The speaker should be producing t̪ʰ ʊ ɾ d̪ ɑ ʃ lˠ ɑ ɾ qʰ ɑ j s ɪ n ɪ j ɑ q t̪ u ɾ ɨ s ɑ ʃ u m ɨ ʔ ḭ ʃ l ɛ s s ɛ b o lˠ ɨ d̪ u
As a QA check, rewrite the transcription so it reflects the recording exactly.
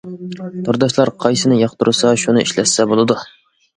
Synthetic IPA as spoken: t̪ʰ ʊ ɾ d̪ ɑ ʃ lˠ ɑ ɾ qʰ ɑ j s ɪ n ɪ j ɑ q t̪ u ɾ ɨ s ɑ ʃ u n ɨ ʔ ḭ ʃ l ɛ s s ɛ b o lˠ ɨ d̪ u